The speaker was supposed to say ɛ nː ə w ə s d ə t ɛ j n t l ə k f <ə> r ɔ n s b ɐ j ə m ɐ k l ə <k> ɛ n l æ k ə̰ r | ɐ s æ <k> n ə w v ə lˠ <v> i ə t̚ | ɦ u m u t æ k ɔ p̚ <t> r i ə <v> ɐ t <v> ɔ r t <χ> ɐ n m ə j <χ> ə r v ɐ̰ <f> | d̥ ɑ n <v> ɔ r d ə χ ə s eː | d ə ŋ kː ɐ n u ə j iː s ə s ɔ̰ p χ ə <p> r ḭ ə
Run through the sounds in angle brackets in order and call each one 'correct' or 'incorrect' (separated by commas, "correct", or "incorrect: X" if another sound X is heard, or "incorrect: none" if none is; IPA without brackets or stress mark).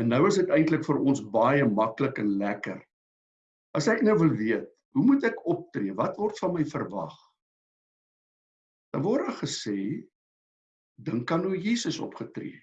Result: correct, correct, correct, correct, correct, correct, correct, incorrect: f, incorrect: f, incorrect: χ, correct, incorrect: t